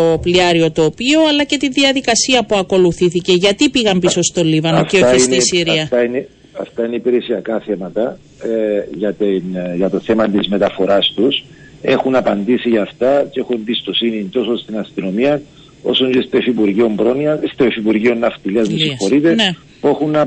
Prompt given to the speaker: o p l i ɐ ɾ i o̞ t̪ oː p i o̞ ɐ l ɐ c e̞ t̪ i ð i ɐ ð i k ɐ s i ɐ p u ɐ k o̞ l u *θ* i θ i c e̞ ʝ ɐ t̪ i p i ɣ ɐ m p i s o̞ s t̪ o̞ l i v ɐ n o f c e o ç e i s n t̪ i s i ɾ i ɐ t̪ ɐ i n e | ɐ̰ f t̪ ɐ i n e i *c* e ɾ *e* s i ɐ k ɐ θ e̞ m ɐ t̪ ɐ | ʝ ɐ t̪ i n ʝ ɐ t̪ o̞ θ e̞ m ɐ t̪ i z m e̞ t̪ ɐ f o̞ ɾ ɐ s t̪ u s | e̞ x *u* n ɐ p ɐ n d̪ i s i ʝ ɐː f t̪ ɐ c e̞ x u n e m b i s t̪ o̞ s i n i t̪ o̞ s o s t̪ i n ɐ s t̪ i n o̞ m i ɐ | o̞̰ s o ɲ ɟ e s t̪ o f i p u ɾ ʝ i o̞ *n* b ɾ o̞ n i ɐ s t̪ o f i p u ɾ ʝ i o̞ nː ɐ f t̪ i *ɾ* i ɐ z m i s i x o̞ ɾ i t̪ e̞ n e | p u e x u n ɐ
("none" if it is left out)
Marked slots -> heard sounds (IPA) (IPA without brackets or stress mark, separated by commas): θ, p, e, u, m, l